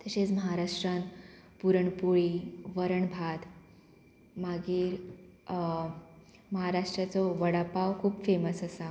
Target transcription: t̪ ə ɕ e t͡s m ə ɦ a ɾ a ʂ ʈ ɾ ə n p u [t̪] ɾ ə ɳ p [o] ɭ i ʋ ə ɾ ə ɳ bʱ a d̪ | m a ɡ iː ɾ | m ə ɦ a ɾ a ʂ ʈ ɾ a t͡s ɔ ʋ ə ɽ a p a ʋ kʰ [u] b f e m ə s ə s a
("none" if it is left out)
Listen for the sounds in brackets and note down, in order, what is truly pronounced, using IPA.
none, u, uː

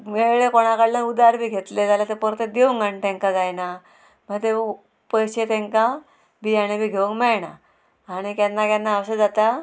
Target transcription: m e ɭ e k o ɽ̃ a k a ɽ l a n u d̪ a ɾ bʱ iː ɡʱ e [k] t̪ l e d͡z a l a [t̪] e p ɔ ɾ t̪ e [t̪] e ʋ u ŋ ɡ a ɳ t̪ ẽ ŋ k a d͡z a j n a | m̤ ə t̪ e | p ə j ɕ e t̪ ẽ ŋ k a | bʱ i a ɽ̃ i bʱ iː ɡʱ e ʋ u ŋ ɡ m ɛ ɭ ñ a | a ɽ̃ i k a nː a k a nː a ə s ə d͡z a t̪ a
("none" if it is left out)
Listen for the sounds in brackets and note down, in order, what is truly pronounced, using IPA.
none, t̪, d̪

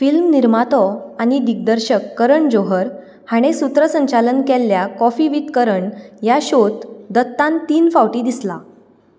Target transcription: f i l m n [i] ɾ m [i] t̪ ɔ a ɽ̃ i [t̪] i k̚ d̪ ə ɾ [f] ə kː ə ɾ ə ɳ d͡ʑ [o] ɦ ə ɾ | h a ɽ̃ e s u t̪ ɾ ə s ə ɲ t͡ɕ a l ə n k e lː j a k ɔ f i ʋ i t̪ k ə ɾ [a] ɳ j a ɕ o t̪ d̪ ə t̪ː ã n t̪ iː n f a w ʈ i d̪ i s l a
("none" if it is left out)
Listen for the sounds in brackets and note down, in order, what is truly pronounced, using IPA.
i, a, d̪, ɕ, o, ə

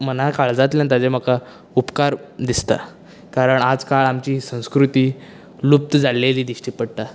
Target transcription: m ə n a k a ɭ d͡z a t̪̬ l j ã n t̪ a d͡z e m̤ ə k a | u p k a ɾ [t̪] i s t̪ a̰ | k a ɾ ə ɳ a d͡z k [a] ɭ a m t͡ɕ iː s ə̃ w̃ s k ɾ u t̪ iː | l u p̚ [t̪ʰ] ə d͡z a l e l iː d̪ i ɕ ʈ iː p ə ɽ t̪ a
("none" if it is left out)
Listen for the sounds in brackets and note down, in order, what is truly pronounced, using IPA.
d̪, a, t̪

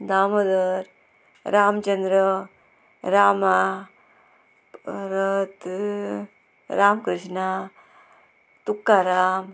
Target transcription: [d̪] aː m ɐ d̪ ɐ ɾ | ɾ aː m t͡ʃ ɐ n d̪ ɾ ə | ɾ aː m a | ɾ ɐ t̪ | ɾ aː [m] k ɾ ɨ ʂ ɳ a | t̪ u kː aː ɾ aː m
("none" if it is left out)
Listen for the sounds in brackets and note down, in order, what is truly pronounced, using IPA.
d̪, m

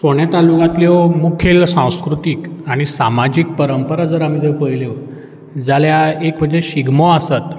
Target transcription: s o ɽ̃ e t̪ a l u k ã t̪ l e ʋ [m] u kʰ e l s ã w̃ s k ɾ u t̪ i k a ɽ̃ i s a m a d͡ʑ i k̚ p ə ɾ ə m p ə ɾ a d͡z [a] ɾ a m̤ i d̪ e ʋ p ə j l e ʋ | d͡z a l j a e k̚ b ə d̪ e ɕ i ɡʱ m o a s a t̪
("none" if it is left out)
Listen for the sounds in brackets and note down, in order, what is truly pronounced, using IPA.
m, ə

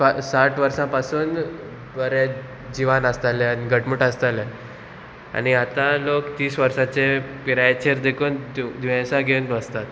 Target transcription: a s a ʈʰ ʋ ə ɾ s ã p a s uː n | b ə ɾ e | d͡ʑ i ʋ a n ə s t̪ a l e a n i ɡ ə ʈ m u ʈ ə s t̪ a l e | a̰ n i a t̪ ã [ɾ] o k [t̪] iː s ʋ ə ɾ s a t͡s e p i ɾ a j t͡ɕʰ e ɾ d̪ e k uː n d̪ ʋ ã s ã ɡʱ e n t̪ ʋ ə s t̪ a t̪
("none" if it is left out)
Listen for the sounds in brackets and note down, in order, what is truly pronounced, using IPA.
l, t̪

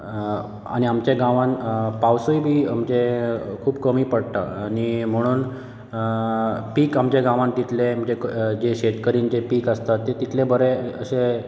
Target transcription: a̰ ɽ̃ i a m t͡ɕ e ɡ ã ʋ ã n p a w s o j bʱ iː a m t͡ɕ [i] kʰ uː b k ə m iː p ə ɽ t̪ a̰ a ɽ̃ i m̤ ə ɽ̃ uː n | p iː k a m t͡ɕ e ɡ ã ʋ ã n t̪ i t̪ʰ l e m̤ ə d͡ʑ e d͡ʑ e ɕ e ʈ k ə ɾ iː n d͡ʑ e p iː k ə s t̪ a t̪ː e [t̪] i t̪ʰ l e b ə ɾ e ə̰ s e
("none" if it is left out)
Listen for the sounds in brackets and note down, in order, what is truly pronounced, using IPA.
e, t̪

